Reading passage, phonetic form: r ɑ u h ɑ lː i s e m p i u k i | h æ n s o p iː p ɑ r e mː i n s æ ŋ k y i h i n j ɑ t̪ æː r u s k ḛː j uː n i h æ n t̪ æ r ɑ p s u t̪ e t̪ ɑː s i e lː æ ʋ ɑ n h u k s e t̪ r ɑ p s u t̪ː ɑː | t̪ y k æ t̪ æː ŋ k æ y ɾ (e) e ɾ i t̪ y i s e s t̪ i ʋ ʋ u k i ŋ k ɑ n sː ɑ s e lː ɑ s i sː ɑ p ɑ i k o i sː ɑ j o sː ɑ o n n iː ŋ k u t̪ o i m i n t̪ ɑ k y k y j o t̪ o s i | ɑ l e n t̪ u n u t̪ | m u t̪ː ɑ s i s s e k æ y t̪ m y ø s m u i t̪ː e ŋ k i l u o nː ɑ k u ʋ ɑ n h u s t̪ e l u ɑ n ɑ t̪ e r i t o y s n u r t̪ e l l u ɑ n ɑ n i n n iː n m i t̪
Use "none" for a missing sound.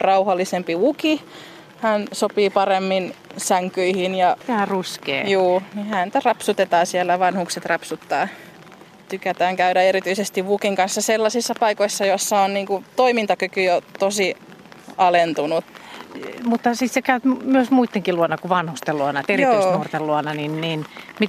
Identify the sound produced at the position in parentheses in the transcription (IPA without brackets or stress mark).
æ